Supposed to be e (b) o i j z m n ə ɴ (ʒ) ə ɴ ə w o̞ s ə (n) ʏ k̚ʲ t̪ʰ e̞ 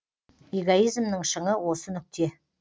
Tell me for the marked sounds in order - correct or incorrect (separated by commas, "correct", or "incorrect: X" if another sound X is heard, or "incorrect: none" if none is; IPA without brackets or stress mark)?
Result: incorrect: ɡ, incorrect: ʃ, correct